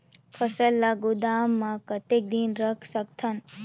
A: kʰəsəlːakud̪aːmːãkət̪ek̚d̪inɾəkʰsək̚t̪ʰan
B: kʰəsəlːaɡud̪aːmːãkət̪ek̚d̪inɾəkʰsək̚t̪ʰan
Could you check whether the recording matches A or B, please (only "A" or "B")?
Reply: B